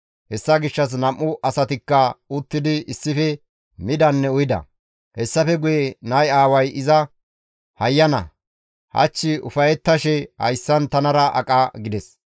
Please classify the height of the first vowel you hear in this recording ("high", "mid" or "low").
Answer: mid